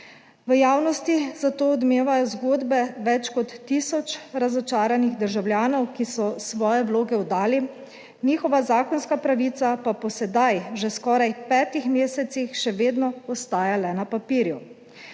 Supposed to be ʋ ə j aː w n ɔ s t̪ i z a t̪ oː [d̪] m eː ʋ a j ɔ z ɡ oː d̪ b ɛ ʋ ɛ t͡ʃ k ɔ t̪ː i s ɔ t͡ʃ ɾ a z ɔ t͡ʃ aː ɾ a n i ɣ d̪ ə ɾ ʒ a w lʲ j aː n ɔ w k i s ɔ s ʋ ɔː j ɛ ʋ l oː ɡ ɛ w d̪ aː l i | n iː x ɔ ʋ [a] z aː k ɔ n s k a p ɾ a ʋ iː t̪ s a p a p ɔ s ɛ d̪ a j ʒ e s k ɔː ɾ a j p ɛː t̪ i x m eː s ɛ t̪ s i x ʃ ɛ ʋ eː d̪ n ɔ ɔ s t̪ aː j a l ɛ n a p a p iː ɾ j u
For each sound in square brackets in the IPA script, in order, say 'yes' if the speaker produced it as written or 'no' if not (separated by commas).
yes, yes